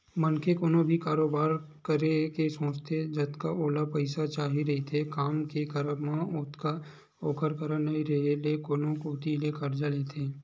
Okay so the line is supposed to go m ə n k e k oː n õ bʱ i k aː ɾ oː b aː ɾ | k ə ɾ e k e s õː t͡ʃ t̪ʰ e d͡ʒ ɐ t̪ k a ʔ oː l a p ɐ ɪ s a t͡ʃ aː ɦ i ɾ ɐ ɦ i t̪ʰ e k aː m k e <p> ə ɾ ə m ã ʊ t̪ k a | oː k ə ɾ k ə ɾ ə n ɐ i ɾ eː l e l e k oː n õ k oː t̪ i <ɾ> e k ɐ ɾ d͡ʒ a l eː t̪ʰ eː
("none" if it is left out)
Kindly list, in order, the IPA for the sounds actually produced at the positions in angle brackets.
k, l

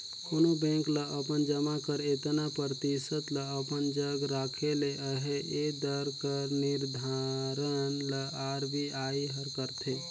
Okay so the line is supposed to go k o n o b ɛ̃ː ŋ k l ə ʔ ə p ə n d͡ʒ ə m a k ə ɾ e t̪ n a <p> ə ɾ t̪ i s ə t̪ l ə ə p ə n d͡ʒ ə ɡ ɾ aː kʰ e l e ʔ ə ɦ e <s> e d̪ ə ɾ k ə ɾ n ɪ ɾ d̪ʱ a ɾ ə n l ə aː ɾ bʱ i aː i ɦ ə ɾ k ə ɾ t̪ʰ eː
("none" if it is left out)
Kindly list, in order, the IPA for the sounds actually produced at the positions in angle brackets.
p, none

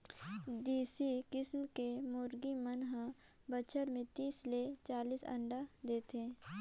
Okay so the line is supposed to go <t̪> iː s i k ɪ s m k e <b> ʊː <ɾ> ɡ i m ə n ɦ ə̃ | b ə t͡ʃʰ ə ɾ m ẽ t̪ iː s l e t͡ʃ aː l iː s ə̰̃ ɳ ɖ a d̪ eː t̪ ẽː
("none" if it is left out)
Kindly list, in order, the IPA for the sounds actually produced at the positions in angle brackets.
d̪, m, ɾ

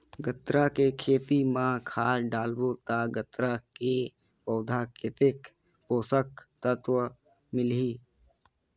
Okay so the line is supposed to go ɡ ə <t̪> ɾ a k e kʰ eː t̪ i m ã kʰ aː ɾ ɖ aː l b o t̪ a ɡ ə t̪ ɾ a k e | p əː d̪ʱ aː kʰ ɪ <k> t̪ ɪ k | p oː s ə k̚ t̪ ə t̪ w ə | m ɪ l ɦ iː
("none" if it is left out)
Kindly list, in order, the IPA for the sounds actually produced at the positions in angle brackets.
t̪, none

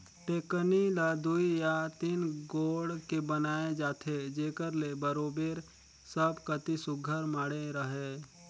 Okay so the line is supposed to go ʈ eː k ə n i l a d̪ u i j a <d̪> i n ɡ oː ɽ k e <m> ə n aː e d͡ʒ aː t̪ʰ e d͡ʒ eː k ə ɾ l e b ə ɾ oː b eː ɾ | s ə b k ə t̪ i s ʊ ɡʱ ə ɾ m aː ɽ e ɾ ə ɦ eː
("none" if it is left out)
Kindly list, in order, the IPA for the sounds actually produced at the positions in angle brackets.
t̪, b

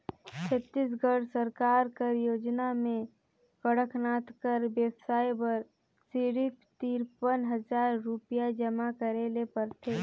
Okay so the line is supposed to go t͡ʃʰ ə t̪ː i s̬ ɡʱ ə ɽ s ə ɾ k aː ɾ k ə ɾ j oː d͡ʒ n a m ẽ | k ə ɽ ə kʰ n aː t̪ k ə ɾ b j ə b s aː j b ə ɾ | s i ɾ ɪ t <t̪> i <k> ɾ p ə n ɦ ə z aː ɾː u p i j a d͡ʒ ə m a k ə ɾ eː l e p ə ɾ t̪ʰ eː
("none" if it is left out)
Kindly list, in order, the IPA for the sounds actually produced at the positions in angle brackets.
t̪, none

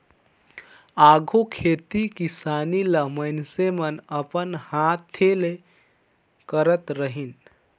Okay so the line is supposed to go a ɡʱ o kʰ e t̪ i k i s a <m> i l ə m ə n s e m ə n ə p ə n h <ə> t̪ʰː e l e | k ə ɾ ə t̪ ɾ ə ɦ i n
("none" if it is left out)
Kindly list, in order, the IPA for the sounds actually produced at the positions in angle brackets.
n, a

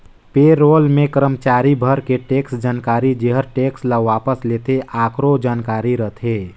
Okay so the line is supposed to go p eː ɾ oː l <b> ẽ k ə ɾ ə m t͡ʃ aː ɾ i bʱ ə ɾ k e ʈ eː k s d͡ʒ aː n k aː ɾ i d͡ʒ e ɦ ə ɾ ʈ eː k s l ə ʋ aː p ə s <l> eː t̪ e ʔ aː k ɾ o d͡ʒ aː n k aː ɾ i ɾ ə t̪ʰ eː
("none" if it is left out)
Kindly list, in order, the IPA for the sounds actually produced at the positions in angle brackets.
m, l

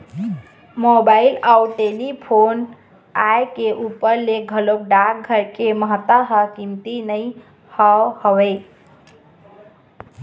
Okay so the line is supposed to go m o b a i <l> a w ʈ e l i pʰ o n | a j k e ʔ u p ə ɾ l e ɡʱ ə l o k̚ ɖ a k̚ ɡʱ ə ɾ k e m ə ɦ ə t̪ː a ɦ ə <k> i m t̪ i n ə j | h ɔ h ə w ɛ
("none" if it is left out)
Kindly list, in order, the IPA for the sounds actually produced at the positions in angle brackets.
l, k

